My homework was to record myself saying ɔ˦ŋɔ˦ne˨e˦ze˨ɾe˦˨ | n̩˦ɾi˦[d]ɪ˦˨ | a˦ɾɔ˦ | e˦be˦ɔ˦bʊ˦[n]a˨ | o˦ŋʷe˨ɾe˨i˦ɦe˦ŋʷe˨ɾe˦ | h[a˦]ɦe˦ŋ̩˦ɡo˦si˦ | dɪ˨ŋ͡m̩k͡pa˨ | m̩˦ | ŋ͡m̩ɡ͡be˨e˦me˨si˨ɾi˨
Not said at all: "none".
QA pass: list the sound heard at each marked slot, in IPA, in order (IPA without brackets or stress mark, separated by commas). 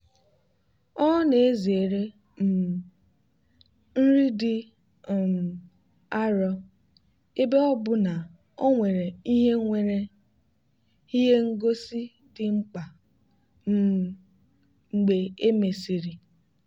d, n, i˦